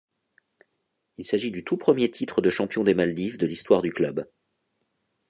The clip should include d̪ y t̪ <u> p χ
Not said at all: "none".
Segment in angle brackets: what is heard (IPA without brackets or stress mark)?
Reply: u